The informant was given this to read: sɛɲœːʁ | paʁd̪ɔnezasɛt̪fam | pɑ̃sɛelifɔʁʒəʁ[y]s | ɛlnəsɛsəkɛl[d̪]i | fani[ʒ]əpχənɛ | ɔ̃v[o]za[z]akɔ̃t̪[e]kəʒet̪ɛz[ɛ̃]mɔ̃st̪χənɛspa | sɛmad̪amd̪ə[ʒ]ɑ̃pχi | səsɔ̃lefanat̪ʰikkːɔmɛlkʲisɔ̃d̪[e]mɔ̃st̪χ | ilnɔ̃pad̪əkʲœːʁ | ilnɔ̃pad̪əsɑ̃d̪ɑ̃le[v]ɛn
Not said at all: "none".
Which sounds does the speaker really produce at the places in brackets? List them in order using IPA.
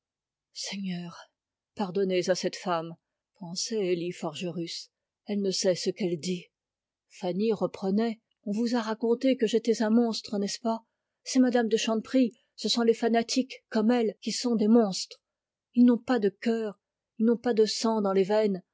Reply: y, d̪, ʁ, u, ʁ, e, ɛ̃, ʃ, e, v

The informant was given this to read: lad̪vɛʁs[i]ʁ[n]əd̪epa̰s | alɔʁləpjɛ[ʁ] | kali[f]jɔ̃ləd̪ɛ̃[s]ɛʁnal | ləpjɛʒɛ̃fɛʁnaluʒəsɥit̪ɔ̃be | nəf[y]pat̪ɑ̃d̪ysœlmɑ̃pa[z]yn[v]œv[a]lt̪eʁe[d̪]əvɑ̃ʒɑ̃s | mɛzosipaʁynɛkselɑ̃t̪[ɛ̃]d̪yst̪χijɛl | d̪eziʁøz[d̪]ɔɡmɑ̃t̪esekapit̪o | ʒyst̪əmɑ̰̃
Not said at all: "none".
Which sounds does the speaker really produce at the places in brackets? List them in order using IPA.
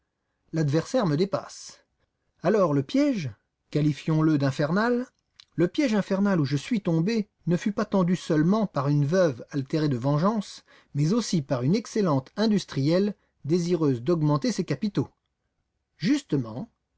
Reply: ɛ, m, ʒ, f, f, y, ʁ, v, a, d̪, ɛ̃, d̪

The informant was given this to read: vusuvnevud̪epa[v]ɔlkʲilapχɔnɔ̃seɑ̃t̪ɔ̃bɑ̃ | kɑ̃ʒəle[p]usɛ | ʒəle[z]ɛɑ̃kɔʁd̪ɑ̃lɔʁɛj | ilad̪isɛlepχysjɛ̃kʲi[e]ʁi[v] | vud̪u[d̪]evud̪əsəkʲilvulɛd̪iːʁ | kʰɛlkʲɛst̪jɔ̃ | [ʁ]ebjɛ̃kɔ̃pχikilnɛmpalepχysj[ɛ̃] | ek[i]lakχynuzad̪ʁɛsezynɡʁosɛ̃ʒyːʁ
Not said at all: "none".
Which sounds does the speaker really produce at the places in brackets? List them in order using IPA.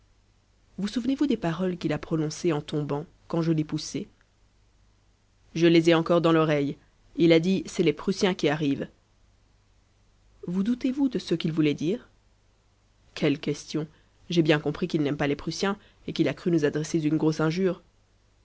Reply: ʁ, p, z, a, v, t̪, ʒ, ɛ̃, i

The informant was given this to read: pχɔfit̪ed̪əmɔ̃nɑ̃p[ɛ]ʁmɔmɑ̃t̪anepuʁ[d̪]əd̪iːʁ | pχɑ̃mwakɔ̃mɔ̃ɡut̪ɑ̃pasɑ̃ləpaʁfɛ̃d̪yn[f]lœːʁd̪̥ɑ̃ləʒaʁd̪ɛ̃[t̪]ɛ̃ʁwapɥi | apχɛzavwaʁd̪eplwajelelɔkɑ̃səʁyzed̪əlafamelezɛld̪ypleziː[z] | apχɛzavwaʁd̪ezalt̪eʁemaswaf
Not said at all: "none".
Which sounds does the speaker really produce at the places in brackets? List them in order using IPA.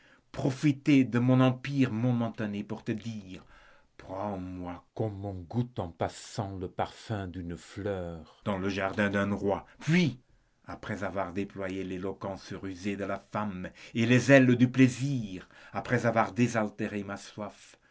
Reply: i, t̪, f, d̪, ʁ

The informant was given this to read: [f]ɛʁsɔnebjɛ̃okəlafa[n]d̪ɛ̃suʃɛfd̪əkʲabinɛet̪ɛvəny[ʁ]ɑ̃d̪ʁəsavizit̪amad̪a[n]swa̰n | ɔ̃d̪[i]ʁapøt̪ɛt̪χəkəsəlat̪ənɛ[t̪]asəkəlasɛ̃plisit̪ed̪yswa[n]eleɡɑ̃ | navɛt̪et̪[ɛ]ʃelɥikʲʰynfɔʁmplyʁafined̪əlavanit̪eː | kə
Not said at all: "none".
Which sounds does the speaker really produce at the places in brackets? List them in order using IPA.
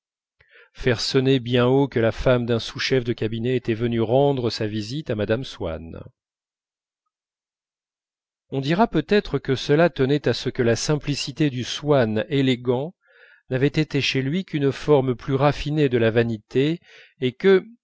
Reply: f, m, ʁ, m, i, t̪, n, e

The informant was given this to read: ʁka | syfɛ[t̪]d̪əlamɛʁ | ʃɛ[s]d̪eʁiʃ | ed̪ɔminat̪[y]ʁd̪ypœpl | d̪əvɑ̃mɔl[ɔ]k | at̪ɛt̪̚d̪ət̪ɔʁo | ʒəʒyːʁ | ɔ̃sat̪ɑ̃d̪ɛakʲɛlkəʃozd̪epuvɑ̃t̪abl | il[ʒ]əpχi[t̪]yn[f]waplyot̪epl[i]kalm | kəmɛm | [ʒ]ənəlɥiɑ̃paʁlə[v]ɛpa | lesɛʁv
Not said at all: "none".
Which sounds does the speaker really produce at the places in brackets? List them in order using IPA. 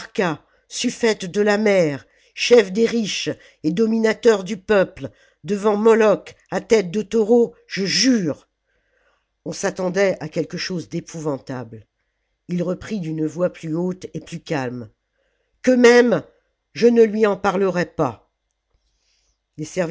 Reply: t̪, f, œ, ɔ, ʁ, d̪, v, y, ʒ, ʁ

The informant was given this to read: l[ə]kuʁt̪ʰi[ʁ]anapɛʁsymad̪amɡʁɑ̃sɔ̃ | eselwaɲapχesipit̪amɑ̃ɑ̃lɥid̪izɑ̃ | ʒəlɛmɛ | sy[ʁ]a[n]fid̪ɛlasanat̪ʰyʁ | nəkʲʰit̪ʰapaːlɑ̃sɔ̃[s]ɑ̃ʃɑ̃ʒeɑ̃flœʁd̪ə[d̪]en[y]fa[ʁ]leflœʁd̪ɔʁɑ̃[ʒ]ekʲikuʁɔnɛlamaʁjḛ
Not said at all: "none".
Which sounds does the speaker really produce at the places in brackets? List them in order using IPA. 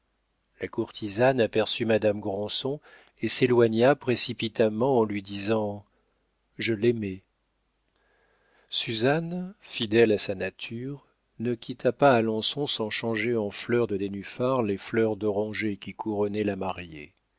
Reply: a, z, z, n, s, d̪, y, ʁ, ʒ

